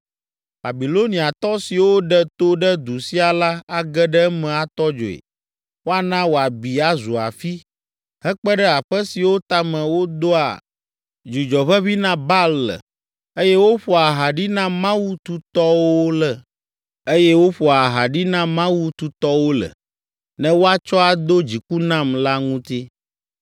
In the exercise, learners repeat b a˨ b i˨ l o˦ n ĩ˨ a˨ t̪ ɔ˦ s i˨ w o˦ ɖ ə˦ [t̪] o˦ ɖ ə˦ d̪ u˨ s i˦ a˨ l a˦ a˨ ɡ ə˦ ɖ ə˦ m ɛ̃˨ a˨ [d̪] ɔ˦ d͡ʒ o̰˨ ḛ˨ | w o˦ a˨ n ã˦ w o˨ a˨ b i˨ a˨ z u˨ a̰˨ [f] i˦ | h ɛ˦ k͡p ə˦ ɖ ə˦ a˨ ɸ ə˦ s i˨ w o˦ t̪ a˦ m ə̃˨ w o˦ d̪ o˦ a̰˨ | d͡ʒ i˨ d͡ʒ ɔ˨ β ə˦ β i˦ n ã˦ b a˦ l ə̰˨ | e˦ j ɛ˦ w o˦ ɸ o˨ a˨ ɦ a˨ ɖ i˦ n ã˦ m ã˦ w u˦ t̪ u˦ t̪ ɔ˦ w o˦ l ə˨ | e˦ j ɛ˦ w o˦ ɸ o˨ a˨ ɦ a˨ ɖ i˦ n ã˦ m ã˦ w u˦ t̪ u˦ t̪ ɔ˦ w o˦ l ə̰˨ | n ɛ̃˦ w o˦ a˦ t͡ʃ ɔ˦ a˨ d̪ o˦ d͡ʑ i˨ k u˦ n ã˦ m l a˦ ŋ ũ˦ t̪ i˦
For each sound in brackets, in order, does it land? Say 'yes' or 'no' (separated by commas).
yes, no, yes